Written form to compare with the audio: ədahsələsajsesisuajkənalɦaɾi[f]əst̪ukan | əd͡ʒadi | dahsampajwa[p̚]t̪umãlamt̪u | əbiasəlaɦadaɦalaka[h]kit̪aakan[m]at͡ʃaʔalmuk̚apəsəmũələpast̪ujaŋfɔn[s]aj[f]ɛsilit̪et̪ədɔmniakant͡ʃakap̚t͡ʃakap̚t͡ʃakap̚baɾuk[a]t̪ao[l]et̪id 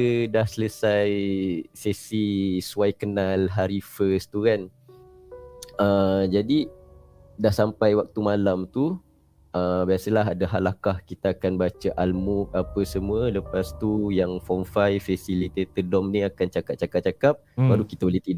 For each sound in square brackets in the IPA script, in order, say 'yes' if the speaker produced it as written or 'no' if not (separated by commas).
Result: yes, no, yes, no, no, yes, no, yes